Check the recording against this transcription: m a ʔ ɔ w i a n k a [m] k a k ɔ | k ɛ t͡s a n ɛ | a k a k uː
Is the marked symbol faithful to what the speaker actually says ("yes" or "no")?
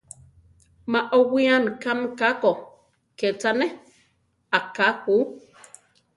yes